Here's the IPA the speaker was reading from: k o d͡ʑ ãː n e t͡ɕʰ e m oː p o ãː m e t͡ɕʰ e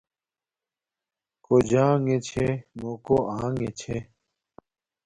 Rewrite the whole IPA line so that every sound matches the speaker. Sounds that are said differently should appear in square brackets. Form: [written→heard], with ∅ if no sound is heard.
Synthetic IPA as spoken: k o d͡ʑ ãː [n→ŋ] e t͡ɕʰ e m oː [p→k] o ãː [m→ŋ] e t͡ɕʰ e